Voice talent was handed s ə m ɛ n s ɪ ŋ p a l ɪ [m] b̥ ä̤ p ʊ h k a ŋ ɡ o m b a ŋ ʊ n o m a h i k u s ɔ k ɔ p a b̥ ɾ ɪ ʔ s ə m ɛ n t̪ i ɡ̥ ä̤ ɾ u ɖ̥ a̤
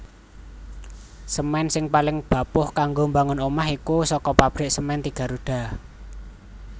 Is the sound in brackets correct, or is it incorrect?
incorrect